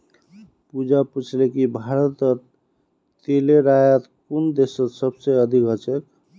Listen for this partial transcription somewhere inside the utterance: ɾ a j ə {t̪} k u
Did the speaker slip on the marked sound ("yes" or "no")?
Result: no